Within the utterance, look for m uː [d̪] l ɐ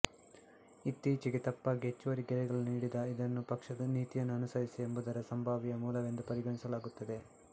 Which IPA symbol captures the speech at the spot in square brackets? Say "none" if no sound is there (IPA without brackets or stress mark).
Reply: none